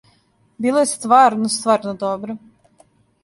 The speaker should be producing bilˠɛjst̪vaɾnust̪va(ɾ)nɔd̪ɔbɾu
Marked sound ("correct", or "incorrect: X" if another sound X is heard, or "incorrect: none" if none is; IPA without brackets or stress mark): correct